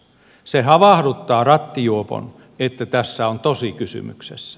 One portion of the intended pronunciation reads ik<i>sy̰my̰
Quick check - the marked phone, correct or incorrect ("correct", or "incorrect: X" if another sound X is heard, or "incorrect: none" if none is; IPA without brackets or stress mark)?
incorrect: y